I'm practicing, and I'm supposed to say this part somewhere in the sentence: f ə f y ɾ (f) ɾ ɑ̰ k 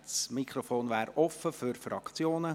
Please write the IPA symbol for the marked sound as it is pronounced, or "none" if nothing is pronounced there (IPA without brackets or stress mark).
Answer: f